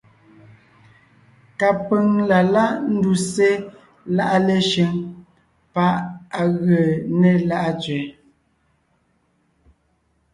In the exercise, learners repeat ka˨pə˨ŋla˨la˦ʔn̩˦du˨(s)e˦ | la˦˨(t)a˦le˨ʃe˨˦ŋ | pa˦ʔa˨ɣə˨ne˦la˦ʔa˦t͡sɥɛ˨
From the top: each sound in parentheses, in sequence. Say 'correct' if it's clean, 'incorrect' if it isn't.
correct, incorrect

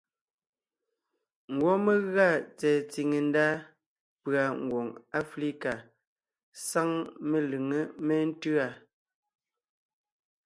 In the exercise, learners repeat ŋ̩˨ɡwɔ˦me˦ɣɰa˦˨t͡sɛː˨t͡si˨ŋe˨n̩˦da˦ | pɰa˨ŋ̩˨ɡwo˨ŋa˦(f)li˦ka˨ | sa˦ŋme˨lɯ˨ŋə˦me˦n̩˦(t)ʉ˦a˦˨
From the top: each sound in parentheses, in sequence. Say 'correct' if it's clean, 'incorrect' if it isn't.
correct, correct

